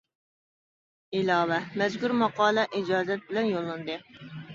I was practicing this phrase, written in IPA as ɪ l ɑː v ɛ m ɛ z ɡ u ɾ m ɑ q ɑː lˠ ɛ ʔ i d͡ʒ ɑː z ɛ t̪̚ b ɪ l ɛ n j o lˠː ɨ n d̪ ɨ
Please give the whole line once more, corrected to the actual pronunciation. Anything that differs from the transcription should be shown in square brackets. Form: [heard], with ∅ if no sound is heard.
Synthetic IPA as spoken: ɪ l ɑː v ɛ m ɛ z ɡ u ɾ m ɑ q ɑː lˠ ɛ ʔ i d͡ʒ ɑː z ɛ t̪̚ b ɪ l ɛ n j o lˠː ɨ n d̪ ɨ